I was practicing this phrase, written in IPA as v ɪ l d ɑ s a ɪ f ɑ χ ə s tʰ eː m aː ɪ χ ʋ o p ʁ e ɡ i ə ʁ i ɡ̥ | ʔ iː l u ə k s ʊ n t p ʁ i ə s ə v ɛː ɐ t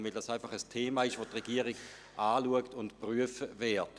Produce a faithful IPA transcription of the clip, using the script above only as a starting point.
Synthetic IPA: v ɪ l d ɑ s a ɪ f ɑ χ ə s tʰ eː m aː ɪ ʃ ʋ o t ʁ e ɡ i ə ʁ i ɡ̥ | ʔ aː l u ə k t ʊ n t p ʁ y ə f ə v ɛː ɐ t